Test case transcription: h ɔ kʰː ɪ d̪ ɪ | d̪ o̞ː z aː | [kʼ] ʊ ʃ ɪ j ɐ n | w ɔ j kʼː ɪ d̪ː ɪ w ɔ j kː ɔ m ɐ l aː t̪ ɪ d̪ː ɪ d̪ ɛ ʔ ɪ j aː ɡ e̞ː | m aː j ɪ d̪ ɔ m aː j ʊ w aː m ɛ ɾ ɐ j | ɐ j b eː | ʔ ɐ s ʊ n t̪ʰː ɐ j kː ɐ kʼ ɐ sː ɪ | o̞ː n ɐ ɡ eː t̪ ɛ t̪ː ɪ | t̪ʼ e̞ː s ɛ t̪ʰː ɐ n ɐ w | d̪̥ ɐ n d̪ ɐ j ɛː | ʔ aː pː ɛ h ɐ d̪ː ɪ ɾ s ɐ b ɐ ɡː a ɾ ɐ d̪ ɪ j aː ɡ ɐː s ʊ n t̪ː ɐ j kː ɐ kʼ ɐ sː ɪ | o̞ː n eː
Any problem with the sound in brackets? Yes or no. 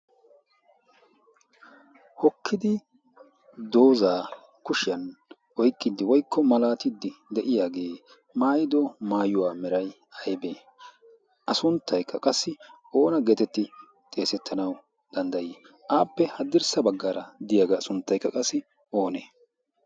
yes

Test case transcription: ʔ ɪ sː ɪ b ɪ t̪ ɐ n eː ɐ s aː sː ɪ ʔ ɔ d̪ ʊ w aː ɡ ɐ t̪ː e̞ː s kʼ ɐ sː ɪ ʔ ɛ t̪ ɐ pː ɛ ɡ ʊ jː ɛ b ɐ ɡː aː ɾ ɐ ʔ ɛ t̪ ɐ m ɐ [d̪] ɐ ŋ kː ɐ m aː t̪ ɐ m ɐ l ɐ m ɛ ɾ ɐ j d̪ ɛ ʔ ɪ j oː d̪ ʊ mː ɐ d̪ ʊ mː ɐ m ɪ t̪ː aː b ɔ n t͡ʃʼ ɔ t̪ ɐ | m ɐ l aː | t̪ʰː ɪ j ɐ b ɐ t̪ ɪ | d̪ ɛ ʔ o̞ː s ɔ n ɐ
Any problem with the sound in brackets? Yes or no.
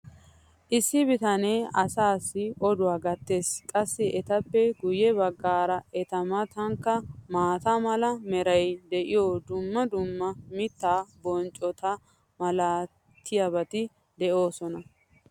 yes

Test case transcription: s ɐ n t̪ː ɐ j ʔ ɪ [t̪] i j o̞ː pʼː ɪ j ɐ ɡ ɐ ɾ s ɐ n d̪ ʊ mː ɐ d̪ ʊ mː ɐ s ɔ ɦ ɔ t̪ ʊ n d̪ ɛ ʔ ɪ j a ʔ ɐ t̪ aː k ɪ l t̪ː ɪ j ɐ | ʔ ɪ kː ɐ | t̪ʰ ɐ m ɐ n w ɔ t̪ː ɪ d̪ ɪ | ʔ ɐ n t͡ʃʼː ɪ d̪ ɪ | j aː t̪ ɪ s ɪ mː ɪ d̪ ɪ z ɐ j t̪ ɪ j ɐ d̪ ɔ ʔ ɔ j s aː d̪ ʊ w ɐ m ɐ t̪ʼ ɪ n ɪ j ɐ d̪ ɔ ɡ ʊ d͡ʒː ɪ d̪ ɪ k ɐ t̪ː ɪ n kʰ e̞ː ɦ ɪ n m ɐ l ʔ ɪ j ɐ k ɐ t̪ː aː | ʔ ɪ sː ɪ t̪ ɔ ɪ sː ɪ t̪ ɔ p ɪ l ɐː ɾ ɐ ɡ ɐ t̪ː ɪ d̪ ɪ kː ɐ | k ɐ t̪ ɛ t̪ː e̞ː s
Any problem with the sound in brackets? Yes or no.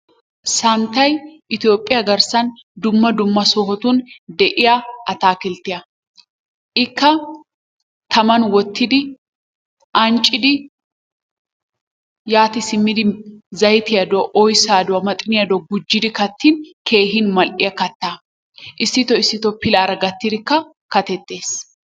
no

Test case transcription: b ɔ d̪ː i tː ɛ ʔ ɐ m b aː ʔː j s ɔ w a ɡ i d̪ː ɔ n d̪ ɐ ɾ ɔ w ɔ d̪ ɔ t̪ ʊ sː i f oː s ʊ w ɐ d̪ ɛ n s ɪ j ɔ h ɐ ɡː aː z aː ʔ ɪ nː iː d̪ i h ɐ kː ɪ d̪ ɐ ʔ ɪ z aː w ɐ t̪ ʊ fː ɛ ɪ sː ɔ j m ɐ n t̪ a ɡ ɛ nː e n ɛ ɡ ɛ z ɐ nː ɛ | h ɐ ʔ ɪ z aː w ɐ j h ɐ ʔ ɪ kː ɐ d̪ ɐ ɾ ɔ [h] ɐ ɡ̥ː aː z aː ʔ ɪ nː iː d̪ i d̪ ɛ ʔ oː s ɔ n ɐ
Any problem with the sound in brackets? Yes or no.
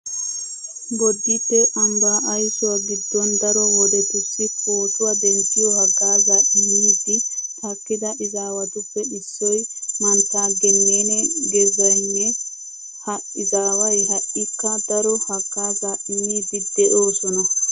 no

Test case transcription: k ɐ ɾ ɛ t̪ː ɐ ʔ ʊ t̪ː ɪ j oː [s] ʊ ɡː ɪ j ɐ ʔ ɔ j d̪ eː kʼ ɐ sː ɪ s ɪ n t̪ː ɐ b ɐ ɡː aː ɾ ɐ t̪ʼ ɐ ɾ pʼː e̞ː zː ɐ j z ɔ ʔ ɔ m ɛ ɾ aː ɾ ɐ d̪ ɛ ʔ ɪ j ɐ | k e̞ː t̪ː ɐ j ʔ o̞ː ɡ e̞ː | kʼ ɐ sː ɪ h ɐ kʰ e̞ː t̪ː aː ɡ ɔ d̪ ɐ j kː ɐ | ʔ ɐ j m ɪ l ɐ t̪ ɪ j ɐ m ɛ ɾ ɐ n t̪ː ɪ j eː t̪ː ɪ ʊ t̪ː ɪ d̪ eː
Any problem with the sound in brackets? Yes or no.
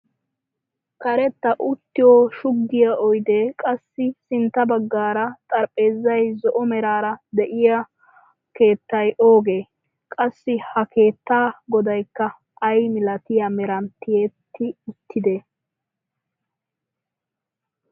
yes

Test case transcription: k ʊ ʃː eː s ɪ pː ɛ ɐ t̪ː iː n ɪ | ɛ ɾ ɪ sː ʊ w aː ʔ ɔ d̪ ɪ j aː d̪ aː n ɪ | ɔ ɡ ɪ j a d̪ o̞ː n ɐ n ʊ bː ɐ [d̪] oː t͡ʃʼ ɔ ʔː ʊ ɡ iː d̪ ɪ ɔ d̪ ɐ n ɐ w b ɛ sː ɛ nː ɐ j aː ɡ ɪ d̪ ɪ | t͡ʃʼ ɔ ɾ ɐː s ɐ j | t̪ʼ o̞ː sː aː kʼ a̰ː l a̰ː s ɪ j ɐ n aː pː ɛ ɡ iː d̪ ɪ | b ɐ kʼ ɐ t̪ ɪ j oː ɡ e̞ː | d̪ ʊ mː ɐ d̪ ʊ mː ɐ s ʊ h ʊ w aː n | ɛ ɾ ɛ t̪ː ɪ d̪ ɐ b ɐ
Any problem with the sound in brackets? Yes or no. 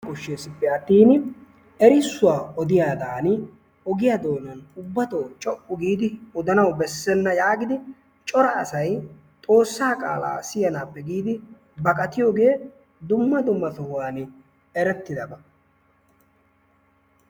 yes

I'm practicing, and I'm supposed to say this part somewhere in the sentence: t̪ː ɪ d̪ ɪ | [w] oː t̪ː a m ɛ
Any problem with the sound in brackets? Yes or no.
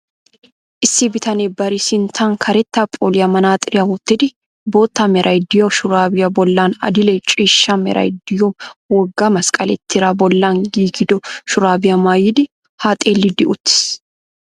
yes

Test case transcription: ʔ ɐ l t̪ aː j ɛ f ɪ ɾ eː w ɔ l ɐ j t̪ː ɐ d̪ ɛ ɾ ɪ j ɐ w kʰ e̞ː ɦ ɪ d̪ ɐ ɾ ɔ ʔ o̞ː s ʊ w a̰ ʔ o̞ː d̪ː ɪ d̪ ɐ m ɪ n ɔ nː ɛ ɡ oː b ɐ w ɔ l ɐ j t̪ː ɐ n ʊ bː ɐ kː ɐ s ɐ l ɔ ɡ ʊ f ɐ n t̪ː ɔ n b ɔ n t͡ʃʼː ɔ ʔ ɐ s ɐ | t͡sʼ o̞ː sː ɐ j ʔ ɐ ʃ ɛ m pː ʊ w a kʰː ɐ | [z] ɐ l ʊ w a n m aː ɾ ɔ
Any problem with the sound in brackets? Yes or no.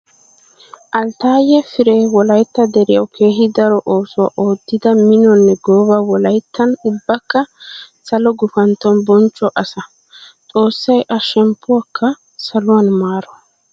yes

